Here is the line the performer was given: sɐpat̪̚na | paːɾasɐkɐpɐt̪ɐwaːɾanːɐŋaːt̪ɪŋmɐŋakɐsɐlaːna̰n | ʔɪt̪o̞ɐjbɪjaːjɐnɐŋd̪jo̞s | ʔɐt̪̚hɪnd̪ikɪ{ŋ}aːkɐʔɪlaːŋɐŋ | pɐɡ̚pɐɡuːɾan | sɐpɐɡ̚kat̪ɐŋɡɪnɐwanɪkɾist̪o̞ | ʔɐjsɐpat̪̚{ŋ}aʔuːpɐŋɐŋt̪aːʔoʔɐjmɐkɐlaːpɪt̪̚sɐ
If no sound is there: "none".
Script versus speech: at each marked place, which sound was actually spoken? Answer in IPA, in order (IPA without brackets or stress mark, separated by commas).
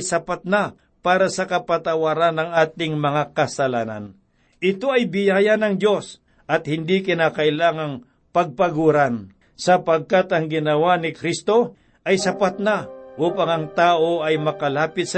n, n